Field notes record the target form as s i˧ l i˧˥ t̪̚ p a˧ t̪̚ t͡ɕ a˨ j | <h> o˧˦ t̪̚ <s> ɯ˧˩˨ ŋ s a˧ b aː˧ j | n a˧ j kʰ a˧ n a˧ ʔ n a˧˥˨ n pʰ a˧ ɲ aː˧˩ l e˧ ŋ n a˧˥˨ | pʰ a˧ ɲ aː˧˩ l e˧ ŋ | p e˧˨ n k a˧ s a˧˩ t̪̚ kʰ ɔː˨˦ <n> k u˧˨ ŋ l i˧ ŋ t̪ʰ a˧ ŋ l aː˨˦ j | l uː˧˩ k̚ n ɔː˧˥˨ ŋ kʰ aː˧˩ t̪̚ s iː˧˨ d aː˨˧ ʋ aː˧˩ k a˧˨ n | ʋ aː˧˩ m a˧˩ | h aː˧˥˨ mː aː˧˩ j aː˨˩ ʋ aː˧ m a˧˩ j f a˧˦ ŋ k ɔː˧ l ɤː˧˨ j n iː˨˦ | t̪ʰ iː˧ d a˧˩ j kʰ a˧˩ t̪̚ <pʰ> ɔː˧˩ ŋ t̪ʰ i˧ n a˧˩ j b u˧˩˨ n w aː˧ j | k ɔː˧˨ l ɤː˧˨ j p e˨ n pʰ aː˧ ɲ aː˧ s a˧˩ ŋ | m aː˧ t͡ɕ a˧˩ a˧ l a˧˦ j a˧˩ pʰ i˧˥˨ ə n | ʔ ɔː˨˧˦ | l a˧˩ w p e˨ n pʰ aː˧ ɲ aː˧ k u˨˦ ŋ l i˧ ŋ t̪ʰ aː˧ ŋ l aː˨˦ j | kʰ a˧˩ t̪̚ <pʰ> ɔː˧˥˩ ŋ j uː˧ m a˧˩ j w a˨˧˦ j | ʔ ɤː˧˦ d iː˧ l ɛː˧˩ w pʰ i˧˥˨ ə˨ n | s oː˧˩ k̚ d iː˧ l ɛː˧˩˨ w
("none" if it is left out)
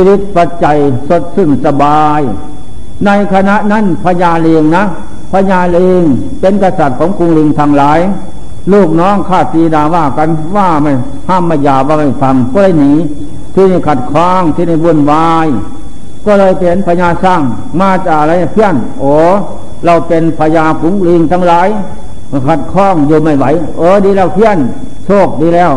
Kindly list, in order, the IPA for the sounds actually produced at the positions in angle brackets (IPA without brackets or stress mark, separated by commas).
s, s, ŋ, kʰ, kʰ